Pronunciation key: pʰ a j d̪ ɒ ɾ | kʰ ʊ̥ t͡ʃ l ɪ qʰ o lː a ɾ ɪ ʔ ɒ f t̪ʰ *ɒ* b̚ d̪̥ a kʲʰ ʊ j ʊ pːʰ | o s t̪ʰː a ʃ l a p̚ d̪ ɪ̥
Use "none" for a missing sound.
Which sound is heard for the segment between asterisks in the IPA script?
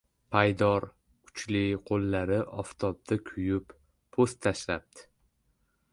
ɒ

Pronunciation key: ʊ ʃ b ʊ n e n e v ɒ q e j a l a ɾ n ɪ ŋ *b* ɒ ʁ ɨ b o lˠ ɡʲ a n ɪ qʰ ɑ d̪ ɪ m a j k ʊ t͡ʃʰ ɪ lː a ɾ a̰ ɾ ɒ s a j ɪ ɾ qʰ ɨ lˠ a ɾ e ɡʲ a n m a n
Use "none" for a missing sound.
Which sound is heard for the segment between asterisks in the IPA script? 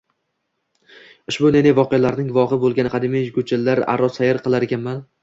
v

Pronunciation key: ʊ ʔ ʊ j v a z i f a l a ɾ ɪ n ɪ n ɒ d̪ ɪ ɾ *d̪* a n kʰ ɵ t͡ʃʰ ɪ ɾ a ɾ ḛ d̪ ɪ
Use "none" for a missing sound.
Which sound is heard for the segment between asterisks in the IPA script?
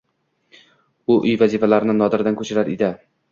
d̪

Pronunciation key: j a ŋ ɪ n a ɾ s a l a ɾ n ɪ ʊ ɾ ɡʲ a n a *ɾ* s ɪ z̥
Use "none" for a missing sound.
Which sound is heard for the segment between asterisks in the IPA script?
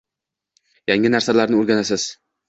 none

